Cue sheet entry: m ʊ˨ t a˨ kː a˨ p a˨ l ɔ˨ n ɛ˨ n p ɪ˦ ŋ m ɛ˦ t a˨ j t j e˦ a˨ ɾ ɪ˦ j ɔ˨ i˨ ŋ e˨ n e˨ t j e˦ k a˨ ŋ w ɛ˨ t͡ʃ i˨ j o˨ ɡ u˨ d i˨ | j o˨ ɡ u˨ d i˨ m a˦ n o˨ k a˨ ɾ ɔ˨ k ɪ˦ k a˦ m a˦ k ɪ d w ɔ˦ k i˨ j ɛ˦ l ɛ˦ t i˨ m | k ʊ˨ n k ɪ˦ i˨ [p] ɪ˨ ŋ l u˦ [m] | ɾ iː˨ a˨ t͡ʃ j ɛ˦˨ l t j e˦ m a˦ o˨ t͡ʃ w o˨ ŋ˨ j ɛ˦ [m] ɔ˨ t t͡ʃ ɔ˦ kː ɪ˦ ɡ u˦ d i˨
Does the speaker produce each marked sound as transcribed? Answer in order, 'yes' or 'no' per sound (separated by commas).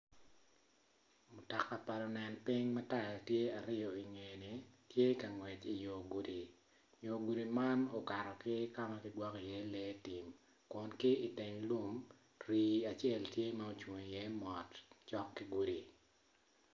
no, yes, yes